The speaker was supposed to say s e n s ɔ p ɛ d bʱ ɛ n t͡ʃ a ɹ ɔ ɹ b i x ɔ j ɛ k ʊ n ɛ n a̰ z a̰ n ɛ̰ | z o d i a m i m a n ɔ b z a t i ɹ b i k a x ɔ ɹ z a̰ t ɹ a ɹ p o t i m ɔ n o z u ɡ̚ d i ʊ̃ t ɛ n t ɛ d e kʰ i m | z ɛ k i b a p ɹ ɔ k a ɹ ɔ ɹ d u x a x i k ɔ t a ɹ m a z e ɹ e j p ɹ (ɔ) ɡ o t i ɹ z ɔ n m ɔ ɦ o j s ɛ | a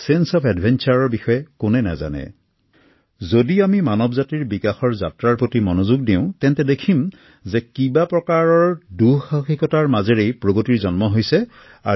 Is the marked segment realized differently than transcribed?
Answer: yes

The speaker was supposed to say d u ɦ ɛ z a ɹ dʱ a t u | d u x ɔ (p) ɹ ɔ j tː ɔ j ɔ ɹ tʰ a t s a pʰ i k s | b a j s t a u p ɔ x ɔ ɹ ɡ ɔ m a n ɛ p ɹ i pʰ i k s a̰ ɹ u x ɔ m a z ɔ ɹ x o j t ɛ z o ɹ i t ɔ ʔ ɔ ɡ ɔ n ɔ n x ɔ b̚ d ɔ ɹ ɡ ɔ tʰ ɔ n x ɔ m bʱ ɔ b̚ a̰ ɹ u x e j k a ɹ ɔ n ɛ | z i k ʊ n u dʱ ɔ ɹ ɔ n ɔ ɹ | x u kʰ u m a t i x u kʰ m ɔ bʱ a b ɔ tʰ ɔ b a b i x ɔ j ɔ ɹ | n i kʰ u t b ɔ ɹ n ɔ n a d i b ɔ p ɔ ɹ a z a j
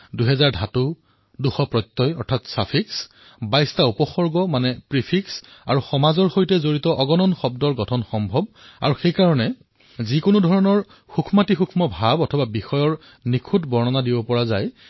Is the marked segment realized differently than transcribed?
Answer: no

